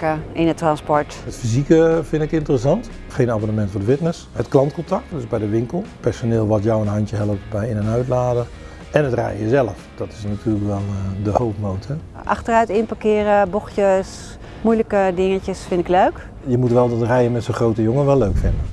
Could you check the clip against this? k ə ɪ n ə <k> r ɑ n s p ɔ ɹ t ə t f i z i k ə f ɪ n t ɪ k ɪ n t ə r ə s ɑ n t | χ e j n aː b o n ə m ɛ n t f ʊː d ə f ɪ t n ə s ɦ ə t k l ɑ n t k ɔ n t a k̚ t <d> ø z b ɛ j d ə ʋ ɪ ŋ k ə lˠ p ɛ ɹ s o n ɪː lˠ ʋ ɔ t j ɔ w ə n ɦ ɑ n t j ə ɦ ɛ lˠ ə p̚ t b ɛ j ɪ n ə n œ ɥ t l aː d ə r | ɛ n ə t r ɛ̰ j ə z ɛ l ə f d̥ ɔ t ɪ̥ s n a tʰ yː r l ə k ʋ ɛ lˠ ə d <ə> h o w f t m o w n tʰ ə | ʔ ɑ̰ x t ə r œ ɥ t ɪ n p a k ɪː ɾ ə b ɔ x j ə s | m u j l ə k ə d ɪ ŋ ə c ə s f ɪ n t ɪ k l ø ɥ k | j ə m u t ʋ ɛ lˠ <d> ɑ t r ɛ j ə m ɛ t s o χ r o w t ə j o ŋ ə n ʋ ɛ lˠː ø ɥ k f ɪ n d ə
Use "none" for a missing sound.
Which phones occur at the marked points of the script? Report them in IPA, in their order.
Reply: t, d, ə, d

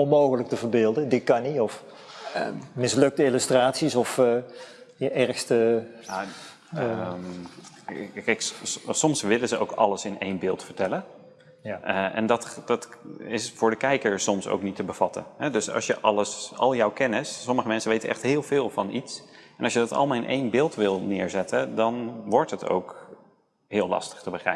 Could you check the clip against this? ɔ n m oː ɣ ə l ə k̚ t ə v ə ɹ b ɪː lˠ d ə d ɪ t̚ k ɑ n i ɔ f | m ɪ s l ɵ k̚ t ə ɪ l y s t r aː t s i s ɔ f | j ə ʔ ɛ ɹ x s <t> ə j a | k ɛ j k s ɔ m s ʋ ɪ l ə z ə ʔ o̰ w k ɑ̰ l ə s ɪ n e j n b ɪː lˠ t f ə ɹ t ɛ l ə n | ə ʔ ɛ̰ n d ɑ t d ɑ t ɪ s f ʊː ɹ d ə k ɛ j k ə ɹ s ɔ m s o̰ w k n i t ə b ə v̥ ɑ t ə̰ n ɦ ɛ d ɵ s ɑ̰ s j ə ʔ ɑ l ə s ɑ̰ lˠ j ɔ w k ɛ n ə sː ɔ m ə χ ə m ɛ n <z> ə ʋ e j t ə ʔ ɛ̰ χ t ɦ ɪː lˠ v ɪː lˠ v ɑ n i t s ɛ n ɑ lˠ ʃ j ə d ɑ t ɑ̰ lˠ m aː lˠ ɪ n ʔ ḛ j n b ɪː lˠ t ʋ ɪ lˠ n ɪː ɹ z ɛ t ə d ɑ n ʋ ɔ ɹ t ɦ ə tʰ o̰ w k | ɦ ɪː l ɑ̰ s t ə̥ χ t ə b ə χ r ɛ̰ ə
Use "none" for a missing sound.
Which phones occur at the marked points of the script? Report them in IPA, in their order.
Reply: t, s

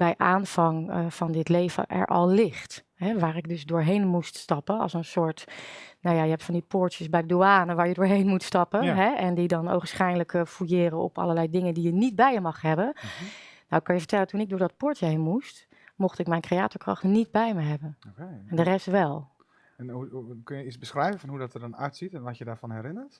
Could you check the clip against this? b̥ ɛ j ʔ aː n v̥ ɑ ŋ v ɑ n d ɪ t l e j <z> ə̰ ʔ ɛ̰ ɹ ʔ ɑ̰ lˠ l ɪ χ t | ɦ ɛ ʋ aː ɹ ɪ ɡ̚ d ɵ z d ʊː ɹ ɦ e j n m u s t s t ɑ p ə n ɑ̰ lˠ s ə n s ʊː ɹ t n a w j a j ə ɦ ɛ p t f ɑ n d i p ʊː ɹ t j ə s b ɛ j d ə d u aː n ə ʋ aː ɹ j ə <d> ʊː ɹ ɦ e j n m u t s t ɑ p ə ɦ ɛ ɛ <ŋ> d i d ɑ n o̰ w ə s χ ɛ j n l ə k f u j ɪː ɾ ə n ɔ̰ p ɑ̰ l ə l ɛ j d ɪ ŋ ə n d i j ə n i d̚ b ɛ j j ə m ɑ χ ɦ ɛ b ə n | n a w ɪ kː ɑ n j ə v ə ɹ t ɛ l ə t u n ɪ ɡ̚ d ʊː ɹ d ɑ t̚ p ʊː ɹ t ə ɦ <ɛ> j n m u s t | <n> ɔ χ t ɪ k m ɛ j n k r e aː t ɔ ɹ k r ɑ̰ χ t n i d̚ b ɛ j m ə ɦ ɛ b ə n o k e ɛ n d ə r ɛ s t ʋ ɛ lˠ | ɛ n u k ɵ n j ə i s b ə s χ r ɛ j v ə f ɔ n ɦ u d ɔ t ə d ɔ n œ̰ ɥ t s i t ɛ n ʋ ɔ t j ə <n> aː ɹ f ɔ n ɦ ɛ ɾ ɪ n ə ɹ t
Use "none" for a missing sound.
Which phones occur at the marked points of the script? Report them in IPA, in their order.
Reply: v, d, n, e, m, d

